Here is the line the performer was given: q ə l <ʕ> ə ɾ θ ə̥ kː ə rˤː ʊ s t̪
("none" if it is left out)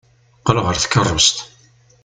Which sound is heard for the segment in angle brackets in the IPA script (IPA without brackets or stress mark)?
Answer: ʁ